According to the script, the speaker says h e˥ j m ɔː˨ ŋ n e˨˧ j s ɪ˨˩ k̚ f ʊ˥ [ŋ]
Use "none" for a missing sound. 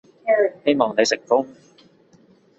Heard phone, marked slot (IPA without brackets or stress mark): ŋ